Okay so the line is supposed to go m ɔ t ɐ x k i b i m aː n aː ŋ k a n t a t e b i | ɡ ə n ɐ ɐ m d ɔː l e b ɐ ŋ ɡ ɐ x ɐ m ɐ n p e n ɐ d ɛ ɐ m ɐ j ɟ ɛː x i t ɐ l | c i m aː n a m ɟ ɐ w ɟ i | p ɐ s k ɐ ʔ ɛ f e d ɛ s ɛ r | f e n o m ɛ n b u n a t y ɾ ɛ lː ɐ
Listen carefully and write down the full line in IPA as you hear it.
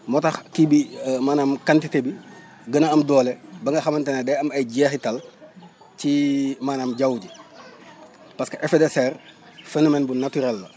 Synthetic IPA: m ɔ t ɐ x k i b i m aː n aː m k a n t i t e b i | ɡ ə n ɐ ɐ m d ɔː l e b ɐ ŋ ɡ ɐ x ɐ m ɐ n t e n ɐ d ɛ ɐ m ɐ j ɟ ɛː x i t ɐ l | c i m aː n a m ɟ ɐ w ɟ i | p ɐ s k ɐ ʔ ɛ f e d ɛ s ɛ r | f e n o m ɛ n b u n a t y ɾ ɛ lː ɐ

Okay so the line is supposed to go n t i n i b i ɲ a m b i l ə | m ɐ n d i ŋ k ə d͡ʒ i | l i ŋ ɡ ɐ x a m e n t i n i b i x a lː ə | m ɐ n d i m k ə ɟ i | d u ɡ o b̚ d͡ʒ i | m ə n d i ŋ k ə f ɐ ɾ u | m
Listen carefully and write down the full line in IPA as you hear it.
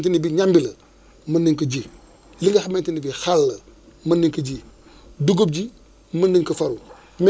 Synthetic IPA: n t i n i b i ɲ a m b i l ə | m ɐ n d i ŋ k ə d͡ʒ i | l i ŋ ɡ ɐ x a m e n t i n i b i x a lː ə | m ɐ n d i ŋ k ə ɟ i | d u ɡ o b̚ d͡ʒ i | m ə n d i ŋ k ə f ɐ ɾ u | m

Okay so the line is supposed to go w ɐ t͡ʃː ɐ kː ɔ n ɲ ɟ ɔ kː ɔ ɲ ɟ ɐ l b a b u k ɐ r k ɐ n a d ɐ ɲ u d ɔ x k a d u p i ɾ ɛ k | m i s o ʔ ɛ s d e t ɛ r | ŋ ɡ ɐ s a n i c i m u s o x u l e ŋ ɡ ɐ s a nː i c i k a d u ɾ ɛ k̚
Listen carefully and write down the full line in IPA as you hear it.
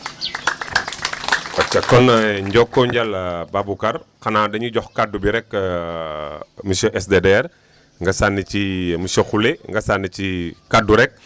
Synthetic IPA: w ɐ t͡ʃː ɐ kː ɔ n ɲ ɟ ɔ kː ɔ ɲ ɟ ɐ l b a b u k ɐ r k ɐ n a d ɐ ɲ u ɟ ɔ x k a d u b i ɾ ɛ k | m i s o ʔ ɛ s d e d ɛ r | ŋ ɡ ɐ s a n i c i m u s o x u l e ŋ ɡ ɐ s a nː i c i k a d u ɾ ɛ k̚

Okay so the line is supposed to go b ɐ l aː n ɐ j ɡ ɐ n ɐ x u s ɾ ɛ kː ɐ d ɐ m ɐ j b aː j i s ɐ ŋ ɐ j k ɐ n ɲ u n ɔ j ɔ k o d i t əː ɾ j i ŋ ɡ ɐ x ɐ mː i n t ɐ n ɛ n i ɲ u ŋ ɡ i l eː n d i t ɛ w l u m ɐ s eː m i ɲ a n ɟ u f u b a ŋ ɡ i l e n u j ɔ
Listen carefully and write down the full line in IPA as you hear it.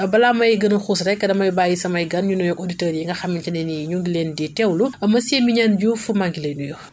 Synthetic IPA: b ɐ l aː m ɐ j ɡ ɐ n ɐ x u s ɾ ɛ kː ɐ d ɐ m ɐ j b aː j i s ɐ m ɐ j ɡ ɐ n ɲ u n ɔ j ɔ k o d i t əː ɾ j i ŋ ɡ ɐ x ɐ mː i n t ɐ n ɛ n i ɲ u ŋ ɡ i l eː n d i t ɛ w l u m ɐ s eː m i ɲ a n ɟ u f u m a ŋ ɡ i l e n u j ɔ

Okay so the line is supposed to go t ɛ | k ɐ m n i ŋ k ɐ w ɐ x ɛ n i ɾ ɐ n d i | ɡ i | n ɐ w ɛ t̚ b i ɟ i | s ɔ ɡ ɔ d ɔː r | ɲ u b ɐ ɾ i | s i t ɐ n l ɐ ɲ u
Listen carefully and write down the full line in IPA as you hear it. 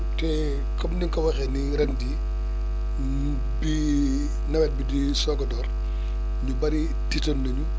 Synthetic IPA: t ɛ | k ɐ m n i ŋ k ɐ w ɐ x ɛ n i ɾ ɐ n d i | b i | n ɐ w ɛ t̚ b i d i | s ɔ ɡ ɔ d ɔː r | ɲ u b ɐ ɾ i | t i t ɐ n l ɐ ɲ u

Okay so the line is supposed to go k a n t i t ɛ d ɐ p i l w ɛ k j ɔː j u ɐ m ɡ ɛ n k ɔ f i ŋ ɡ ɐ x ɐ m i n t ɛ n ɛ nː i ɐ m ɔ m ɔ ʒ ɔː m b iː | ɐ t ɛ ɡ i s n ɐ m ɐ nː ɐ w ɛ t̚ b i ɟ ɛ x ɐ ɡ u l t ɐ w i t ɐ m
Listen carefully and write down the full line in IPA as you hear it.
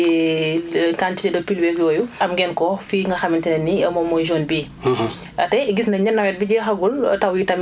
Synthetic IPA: k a n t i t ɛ d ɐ p i l w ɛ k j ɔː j u ɐ m ɡ ɛ n k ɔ f i ŋ ɡ ɐ x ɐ m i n t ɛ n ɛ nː i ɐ m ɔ m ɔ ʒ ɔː n b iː | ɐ t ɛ ɡ i s n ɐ ɲ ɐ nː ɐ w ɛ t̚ b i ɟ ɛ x ɐ ɡ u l t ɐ w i t ɐ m

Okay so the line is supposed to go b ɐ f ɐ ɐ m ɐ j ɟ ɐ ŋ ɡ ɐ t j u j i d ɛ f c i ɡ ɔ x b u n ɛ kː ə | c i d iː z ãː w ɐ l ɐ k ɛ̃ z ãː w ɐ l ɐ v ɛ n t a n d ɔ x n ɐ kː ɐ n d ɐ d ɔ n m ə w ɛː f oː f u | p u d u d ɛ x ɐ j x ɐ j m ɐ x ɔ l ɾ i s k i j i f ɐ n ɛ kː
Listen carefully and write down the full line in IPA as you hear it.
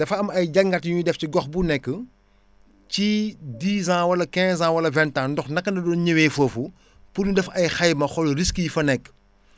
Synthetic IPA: d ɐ f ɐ ɐ m ɐ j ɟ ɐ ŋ ɡ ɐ t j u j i d ɛ f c i ɡ ɔ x b u n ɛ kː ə | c i d iː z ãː w ɐ l ɐ k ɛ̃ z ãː w ɐ l ɐ v ɛ n t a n d ɔ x n ɐ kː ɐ n d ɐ d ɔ n ɲ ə w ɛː f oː f u | p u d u d ɛ f ɐ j x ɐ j m ɐ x ɔ l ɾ i s k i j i f ɐ n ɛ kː

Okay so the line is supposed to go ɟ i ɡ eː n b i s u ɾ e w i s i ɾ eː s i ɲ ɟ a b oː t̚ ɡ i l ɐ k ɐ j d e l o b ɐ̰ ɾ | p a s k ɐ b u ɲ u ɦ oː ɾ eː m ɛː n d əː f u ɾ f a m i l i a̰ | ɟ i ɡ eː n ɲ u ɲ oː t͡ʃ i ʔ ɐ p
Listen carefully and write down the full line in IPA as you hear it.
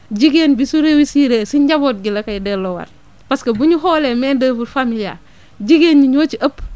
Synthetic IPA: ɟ i ɡ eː n b i s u ɾ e w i s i ɾ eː s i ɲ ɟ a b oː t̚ ɡ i l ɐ k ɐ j d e l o w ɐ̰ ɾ | p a s k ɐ b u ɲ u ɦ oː l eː m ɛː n d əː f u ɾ f a m i l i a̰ | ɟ i ɡ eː n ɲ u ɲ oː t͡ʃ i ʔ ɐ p

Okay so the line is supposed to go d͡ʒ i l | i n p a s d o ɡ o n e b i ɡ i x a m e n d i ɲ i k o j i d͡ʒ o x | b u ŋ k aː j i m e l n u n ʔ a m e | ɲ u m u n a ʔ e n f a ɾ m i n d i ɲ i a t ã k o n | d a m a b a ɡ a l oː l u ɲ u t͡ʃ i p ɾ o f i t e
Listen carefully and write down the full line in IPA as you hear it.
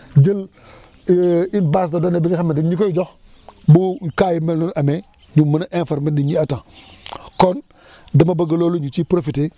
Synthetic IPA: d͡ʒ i l | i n b a s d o d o n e b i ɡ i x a m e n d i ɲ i k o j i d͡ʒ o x | b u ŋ k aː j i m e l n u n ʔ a m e | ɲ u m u n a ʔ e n f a ɾ m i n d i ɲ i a t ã k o n | d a m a b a ɡ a l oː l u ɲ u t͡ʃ i p ɾ o f i t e

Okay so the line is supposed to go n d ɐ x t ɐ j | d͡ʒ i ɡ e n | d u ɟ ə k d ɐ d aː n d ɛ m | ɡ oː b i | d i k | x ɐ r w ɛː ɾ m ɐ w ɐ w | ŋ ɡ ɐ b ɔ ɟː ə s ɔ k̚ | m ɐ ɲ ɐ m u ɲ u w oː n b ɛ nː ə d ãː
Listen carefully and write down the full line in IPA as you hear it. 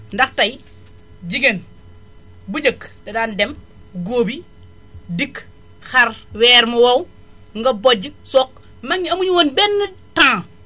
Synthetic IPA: n d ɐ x t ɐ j | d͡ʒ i ɡ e n | b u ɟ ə k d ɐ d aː n d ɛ m | ɡ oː b i | d i k | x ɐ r w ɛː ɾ m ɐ w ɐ w | ŋ ɡ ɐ b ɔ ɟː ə s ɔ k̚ | m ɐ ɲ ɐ m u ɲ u w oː n b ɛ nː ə t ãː

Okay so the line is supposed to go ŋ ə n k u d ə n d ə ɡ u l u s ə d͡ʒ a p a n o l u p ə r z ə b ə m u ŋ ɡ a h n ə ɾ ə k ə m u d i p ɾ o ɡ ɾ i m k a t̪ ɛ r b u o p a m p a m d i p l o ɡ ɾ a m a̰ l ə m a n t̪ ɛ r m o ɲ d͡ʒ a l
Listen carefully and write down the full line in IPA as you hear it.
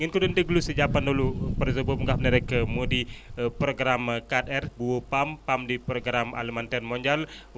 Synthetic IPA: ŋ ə n k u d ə n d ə ɡ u l u s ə d͡ʒ a p a n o l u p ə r z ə b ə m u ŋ ɡ a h n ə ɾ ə k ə m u d i p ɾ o ɡ ɾ a m k a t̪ ɛ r b u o p a m p a m d i p ɾ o ɡ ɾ a m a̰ l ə m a n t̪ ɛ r m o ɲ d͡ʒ a l

